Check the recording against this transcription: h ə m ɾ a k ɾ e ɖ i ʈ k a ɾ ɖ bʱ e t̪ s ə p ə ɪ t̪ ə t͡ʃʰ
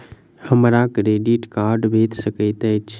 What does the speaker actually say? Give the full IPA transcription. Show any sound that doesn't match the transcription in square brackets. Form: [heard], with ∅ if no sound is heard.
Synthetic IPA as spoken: h ə m ɾ a k ɾ e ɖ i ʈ k a ɾ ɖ bʱ e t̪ s ə [k] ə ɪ t̪ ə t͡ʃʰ